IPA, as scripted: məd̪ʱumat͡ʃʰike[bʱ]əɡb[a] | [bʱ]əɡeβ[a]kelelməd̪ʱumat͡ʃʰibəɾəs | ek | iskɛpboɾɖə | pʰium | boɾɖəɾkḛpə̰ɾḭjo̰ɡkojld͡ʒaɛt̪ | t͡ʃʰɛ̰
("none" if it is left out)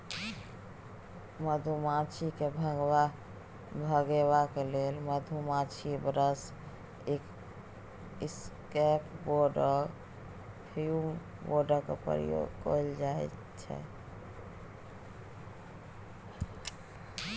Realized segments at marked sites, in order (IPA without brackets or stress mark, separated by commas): bʱ, a, bʱ, a